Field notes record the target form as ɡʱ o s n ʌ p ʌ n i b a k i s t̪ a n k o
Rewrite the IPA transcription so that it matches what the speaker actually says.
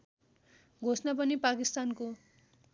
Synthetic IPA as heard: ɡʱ o s n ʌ p ʌ n i p a k i s t̪ a n k o